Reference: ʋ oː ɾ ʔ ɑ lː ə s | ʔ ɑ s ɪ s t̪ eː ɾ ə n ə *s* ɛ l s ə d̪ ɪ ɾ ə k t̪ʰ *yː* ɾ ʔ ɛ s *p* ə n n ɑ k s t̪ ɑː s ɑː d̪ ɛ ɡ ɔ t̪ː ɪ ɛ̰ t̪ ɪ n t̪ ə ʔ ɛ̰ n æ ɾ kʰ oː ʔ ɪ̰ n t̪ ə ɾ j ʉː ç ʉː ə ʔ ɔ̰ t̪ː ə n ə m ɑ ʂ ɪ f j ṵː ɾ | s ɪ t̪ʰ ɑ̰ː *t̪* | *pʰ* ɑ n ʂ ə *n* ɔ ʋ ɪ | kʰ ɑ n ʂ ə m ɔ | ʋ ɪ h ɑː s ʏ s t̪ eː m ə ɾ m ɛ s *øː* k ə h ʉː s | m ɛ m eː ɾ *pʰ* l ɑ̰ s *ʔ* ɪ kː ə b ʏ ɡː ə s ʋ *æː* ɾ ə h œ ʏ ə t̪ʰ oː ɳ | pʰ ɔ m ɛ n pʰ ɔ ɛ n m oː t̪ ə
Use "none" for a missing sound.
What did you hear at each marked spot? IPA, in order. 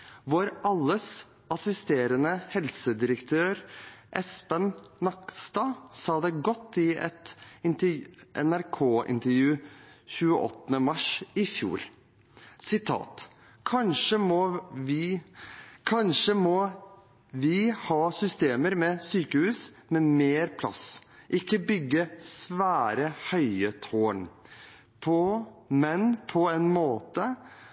h, øː, p, t̪, kʰ, m, yː, pʰ, ʔ, æː

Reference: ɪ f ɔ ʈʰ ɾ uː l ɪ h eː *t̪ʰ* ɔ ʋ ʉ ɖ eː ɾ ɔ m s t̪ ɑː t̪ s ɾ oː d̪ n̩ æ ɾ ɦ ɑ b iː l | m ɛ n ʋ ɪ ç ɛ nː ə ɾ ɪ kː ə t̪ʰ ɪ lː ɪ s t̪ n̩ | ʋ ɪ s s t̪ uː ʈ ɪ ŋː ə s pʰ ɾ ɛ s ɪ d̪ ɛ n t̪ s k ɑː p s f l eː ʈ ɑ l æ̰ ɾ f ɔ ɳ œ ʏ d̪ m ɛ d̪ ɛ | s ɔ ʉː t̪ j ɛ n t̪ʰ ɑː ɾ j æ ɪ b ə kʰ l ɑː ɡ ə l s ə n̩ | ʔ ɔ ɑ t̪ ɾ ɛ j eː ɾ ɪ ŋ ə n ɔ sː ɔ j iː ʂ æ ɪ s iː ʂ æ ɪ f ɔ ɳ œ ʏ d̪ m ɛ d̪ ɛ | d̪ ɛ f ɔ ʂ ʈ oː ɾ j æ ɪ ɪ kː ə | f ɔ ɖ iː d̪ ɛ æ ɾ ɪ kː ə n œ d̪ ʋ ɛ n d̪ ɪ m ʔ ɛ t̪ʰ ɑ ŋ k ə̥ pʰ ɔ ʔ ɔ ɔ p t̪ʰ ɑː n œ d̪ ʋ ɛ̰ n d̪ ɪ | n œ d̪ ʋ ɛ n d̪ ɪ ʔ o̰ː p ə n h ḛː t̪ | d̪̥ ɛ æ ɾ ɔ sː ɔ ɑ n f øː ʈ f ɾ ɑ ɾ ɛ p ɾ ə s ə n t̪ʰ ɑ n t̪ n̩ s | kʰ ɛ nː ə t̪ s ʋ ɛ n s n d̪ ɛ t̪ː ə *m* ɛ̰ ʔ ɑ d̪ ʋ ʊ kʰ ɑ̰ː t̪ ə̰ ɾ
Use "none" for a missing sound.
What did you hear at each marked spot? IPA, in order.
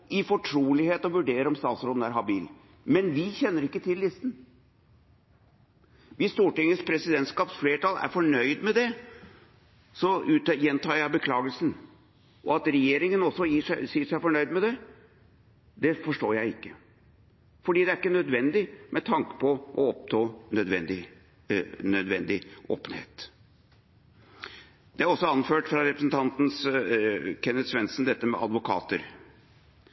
t̪, m

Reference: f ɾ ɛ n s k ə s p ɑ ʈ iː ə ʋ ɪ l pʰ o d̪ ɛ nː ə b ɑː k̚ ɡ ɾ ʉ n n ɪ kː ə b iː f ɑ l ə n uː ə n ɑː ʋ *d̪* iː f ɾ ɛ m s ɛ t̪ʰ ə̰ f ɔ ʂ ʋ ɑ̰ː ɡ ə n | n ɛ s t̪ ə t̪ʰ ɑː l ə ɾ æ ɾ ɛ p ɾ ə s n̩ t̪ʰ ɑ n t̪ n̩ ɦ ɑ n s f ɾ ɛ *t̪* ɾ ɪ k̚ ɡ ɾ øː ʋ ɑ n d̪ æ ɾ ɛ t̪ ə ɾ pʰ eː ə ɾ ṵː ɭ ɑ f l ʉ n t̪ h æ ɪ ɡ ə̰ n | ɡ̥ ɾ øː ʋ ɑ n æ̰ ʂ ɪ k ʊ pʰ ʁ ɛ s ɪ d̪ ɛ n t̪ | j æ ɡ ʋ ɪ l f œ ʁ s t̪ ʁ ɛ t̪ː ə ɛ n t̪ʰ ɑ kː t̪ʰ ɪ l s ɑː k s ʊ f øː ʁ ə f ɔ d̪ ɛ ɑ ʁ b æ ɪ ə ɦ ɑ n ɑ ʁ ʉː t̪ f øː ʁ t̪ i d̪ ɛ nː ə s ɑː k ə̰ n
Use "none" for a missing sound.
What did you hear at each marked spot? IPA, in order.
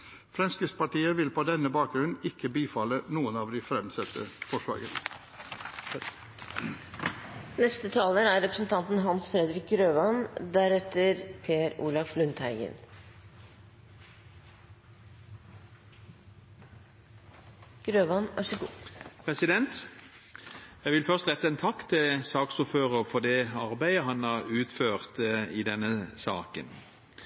d̪, d̪

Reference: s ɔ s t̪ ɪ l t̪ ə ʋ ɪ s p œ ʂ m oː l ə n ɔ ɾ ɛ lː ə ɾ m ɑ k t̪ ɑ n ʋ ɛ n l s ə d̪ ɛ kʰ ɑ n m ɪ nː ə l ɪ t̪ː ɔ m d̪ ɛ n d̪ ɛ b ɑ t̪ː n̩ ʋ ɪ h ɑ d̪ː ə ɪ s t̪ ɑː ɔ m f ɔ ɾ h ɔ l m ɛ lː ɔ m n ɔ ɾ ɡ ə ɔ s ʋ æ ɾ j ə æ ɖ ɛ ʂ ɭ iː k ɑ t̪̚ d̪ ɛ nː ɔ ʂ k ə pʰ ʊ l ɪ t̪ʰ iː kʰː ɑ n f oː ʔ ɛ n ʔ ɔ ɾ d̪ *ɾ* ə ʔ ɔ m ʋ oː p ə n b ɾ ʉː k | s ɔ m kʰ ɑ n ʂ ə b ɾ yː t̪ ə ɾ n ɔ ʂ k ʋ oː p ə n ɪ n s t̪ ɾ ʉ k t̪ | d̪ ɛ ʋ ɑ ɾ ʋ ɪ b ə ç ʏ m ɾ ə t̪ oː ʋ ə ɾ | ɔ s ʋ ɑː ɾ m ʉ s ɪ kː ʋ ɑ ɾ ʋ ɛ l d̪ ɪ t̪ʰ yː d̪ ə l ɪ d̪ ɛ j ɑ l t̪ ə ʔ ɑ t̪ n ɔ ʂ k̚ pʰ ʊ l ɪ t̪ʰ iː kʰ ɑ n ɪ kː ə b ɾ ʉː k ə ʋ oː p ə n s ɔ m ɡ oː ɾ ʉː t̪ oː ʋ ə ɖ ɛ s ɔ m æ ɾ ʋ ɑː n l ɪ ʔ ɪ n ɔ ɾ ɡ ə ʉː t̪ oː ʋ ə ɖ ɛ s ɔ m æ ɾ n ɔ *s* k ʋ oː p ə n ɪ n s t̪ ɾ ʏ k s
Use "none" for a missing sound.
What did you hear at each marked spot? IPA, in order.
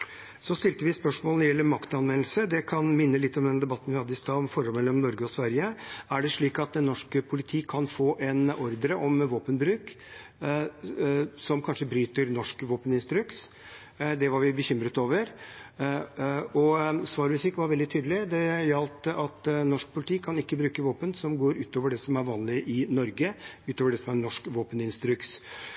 ɾ, ʂ

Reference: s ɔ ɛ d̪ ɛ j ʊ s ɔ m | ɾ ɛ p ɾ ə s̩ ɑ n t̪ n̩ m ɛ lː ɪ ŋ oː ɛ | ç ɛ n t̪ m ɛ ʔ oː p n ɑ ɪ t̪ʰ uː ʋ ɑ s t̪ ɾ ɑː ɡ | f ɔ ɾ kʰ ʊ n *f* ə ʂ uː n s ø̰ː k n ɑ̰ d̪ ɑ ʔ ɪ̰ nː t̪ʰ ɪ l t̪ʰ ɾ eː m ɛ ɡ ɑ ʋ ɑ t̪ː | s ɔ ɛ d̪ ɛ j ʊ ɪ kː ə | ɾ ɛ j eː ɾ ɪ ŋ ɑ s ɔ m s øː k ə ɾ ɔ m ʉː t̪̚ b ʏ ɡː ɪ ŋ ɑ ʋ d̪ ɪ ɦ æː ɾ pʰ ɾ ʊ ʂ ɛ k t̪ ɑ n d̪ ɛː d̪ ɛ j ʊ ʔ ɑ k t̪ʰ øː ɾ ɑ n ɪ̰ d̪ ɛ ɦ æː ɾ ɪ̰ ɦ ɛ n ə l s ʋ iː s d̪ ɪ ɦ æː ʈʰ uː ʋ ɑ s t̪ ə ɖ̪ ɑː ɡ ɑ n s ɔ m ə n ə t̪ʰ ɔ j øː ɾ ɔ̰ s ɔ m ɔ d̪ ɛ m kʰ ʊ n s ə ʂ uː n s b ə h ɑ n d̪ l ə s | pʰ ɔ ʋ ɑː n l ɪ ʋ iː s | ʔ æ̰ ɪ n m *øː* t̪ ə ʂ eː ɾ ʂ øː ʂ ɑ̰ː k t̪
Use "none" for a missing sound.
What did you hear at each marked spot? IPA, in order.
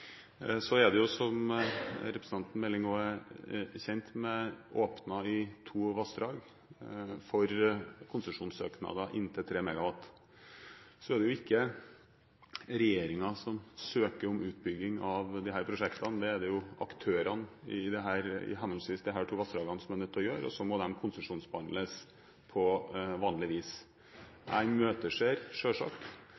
s, øː

